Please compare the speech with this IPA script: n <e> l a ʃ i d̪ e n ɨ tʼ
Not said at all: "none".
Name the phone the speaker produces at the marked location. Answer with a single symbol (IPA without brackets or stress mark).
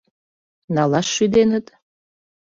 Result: a